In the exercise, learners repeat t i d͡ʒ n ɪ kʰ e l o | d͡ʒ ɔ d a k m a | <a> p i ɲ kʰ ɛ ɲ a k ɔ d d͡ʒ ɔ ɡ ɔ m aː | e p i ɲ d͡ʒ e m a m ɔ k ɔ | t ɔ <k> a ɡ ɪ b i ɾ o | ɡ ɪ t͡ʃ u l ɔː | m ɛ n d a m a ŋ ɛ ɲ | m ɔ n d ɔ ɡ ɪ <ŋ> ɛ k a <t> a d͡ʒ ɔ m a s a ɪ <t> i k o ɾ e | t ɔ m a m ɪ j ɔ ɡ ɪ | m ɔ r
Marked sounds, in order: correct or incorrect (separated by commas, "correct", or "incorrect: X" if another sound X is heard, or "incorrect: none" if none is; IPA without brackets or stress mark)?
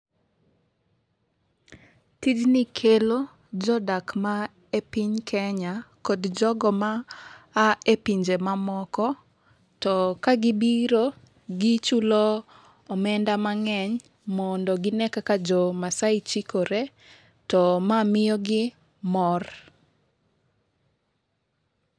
incorrect: e, correct, incorrect: n, incorrect: k, incorrect: t͡ʃ